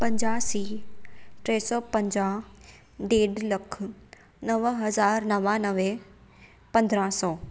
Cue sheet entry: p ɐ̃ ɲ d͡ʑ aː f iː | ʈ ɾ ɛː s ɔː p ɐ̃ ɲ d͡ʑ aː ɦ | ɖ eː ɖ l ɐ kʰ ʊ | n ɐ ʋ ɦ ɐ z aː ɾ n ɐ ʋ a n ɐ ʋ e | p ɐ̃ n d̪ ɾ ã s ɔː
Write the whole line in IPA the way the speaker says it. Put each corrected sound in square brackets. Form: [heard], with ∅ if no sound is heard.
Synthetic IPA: p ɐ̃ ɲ d͡ʑ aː [s] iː | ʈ ɾ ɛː s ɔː p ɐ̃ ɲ d͡ʑ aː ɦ | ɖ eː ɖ l ɐ kʰ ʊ | n ɐ ʋ ɦ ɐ z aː ɾ n ɐ ʋ a n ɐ ʋ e | p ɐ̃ n d̪ ɾ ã s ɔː